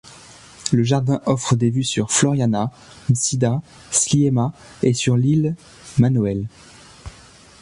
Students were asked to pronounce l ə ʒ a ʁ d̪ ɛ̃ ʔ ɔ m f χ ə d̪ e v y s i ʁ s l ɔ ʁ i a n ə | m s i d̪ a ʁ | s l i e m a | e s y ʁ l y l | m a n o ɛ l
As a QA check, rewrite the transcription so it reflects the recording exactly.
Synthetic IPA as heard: l ə ʒ a ʁ d̪ ɛ̃ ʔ ɔ f χ ə d̪ e v y s y ʁ f l ɔ ʁ j a n a | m s i d̪ a | s l i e m a | e s y ʁ l i l | m a n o ɛ l